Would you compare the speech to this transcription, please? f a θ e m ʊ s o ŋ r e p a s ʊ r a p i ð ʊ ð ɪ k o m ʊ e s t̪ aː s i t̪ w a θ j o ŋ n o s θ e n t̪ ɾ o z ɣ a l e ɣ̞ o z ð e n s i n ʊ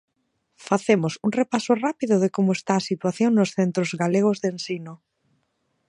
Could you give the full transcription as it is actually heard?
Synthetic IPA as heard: f a θ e m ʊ s u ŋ r e p a s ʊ r a p i ð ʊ ð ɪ k o m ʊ e s t̪ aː s i t̪ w a θ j o ŋ n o s θ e n t̪ ɾ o z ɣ a l e ɣ̞ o z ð e n s i n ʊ